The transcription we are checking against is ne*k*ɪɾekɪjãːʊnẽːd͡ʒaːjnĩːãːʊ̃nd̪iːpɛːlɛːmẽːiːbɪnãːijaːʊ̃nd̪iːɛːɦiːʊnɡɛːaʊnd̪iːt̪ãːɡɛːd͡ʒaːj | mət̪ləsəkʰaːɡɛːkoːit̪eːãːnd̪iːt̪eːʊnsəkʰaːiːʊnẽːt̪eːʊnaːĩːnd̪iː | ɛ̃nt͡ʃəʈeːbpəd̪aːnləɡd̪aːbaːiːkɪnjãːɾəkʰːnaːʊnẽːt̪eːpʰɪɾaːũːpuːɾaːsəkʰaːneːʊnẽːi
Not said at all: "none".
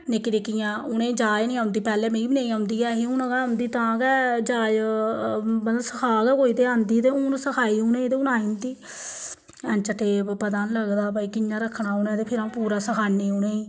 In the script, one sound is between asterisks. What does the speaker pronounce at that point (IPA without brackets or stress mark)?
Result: k